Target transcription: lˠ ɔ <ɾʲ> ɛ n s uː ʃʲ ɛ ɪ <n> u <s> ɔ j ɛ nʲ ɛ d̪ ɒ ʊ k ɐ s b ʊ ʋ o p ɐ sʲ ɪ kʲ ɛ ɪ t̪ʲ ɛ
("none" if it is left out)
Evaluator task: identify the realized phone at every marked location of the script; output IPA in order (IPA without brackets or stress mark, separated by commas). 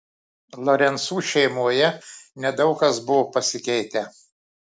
ɾʲ, m, none